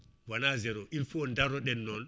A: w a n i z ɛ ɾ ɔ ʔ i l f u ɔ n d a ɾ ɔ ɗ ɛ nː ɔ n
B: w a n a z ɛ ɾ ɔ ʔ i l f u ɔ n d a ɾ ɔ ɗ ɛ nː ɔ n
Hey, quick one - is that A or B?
B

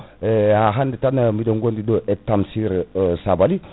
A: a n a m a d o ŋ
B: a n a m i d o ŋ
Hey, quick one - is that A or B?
B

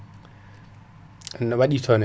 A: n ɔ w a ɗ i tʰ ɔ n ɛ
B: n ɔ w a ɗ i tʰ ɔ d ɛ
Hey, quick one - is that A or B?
A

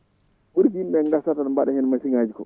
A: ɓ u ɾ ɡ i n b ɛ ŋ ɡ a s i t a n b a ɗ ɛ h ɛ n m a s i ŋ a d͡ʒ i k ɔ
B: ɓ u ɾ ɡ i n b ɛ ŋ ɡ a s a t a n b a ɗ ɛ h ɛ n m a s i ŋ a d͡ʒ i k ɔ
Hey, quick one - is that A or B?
B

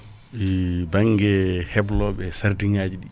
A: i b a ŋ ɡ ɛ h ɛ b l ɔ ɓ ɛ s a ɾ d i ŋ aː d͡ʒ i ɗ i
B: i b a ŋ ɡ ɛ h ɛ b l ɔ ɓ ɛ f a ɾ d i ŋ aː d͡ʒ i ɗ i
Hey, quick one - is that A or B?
A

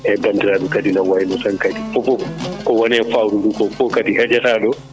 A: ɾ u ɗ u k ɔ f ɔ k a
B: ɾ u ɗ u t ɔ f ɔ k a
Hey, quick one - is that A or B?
A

